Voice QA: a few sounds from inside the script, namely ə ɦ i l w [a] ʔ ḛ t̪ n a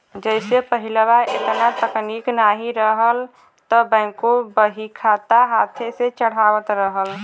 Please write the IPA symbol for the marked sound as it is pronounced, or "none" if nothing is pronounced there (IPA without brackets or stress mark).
a